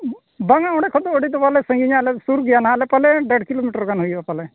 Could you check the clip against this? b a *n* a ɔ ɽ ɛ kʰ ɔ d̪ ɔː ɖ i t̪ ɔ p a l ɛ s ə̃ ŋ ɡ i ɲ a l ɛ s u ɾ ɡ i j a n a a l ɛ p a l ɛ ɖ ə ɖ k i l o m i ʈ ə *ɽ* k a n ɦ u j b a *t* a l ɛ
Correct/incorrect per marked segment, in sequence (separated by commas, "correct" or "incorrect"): incorrect, incorrect, incorrect